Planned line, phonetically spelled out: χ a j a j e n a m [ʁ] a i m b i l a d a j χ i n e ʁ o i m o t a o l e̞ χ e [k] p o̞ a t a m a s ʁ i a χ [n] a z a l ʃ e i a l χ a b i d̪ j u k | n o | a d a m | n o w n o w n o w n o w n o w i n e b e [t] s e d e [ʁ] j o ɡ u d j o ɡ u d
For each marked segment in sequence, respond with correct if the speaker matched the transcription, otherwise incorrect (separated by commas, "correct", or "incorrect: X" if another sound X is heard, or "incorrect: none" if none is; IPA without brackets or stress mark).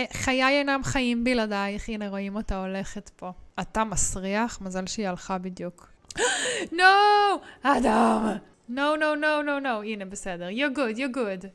incorrect: χ, incorrect: t, incorrect: m, incorrect: none, correct